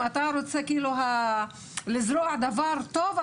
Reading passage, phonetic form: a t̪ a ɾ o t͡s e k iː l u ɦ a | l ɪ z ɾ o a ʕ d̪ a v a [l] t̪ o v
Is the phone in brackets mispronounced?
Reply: yes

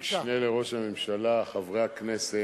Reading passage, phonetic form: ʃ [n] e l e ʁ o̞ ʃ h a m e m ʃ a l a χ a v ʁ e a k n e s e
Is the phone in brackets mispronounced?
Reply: no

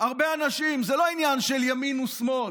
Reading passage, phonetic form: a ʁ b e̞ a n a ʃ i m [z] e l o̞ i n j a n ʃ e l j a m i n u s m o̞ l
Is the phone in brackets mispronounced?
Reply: no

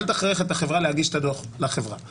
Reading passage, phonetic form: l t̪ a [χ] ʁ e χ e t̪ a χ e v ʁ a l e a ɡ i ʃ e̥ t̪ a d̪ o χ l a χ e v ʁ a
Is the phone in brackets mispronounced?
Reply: no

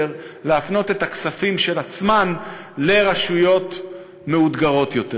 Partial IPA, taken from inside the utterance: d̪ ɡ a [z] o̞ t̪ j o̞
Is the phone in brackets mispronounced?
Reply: yes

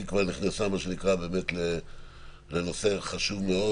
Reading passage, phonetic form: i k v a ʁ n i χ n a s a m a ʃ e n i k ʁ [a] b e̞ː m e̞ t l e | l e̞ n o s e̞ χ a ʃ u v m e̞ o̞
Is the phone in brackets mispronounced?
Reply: no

